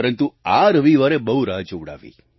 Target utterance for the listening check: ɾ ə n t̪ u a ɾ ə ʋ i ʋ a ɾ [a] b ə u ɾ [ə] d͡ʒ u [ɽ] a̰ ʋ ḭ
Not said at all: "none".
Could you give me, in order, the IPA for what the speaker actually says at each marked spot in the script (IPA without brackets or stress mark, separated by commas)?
e, a, ɽ